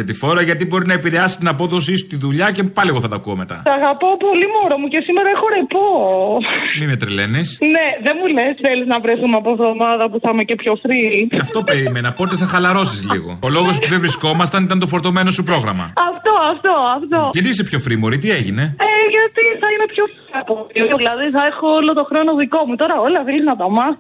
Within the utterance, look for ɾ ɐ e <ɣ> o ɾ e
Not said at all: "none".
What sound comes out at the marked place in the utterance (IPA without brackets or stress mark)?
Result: x